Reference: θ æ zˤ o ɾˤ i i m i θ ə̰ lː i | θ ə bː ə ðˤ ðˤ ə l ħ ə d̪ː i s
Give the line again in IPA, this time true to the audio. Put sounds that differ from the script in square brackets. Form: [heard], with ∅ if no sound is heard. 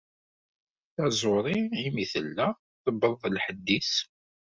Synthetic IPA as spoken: θ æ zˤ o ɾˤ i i m i θ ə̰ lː [æ] | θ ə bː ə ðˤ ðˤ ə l ħ ə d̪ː i s